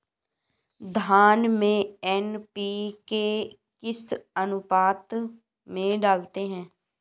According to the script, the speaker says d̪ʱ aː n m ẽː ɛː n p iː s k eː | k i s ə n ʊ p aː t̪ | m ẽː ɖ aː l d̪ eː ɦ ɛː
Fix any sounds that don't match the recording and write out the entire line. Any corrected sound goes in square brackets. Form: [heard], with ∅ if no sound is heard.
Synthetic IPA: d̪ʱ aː n m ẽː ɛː n p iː [∅] k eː | k [ɪ] s ə n ʊ p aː t̪ | m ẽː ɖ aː l [t̪] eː ɦ [ɛ̃ː]

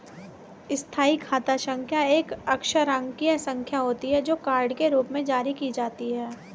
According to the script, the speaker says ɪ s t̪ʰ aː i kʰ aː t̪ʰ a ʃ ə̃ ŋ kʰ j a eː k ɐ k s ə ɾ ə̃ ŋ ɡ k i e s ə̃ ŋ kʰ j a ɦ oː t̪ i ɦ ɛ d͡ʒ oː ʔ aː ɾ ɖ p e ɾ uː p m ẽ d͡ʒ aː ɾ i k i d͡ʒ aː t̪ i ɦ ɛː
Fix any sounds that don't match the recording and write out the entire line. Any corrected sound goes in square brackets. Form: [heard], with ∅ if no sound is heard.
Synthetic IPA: ɪ s t̪ʰ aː i kʰ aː [t̪] a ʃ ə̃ ŋ kʰ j a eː k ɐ k [ʃ] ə ɾ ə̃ ŋ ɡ k i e s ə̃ ŋ kʰ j a ɦ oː t̪ i ɦ ɛ d͡ʒ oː [k] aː ɾ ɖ [k] e ɾ uː p m ẽ d͡ʒ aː ɾ i k i d͡ʒ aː t̪ i ɦ ɛː

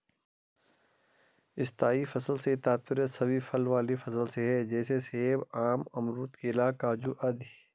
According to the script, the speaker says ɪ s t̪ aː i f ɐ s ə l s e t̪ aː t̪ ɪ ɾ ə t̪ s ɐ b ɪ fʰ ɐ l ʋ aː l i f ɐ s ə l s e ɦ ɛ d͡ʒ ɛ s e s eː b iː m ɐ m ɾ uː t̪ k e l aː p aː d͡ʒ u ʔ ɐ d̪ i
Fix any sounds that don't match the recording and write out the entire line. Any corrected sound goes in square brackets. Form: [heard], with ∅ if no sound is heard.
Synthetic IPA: ɪ s t̪ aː i f ɐ s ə l s e t̪ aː t̪ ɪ ɾ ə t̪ s ɐ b [i] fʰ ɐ l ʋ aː l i f ɐ s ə l s e ɦ ɛ d͡ʒ [ɛː] s e s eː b [aː] m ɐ m ɾ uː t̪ k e l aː [k] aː d͡ʒ u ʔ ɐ d̪ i

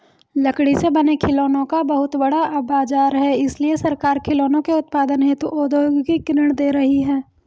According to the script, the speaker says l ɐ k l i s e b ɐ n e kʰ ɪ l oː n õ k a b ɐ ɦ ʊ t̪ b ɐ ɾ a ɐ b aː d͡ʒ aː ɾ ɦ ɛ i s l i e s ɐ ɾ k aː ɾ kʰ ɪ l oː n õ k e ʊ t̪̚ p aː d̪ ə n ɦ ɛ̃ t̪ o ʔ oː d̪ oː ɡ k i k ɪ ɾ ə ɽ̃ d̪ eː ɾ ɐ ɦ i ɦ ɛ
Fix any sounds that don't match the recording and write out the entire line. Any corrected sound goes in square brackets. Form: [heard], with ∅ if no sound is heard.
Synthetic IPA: l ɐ k [ɽ] i s e b ɐ n e kʰ ɪ l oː n õ k a b ɐ ɦ ʊ t̪ b ɐ [ɽ] a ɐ b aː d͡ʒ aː ɾ ɦ ɛ [ɪ] s l i e s ɐ ɾ k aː ɾ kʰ ɪ l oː n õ k e ʊ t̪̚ p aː d̪ ə n ɦ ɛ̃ t̪ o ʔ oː d̪ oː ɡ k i k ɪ ɾ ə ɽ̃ d̪ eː ɾ ɐ ɦ i ɦ [ɛː]

